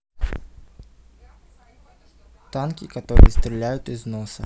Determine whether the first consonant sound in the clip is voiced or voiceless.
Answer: voiceless